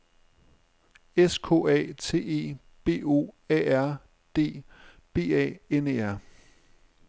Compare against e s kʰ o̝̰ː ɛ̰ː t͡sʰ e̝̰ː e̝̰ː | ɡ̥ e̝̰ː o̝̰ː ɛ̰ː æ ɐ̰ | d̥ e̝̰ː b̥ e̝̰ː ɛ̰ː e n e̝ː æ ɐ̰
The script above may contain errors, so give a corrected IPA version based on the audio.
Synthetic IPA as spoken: e s kʰ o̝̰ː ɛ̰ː t͡sʰ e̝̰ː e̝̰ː | b̥ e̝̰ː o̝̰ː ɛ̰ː æ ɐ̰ | d̥ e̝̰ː b̥ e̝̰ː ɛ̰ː e n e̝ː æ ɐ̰